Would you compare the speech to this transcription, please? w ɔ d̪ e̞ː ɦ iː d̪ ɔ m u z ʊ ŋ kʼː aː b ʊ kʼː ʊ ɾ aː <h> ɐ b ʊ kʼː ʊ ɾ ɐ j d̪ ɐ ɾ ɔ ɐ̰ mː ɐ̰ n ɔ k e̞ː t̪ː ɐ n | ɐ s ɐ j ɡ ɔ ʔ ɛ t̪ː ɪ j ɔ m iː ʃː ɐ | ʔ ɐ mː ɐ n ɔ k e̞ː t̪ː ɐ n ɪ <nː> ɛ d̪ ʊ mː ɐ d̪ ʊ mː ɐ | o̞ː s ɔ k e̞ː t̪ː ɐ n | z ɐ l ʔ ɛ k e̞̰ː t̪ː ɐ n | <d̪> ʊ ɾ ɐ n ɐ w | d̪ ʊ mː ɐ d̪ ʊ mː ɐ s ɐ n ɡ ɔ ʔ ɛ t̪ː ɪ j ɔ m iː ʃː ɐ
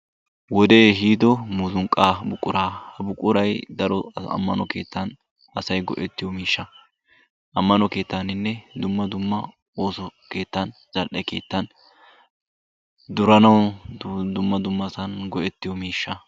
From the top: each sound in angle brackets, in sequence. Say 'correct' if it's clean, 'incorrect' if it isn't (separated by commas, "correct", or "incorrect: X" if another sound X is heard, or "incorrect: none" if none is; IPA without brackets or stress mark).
correct, correct, correct